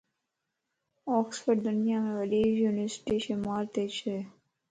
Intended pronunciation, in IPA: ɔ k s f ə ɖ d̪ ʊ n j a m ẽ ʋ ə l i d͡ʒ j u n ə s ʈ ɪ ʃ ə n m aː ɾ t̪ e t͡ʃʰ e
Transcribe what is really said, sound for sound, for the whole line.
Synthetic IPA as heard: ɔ k s f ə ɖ d̪ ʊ n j a m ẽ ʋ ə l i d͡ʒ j u n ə s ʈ i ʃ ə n m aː ɾ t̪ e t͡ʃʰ e